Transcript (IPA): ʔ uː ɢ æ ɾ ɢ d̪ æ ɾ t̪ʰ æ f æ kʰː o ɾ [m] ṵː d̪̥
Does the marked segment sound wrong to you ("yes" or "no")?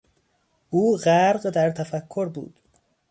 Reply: yes